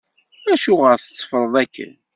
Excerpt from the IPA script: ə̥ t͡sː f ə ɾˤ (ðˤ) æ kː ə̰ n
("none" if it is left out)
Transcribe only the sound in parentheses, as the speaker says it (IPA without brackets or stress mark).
ðˤ